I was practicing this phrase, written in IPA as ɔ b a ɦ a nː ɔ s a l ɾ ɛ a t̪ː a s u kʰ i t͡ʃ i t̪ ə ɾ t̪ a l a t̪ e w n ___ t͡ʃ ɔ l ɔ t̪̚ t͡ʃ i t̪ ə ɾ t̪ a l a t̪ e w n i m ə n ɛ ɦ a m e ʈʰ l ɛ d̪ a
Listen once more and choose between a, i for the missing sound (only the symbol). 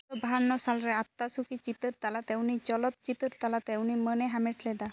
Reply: i